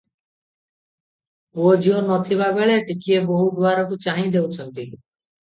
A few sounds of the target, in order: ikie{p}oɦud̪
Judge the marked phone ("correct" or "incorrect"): incorrect